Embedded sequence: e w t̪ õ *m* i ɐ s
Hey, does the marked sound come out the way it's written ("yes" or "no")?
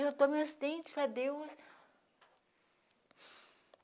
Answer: yes